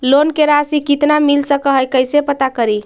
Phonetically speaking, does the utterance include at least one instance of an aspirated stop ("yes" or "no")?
no